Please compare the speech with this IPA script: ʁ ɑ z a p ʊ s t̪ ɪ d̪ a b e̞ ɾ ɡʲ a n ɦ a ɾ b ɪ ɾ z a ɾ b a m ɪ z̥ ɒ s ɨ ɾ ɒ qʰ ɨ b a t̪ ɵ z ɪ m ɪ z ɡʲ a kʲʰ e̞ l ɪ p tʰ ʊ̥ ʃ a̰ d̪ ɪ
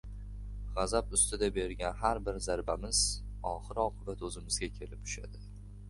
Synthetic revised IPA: ʁ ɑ z a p ʊ s t̪ ɪ d̪ a b e̞ ɾ ɡʲ a n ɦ a ɾ b ɪ ɾ z a ɾ b a m ɪ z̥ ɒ χ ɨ ɾ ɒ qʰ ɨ b a t̪ ɵ z ɪ m ɪ z ɡʲ a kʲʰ e̞ l ɪ p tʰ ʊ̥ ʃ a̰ d̪ ɪ